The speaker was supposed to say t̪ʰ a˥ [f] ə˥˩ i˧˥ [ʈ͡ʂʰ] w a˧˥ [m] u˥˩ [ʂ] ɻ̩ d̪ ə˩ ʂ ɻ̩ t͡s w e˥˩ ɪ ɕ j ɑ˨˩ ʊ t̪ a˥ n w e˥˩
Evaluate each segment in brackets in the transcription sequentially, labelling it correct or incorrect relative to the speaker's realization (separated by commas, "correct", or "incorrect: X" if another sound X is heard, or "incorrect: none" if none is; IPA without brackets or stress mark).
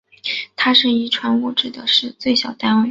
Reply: incorrect: ʂ, correct, incorrect: n, incorrect: ʈ͡ʂ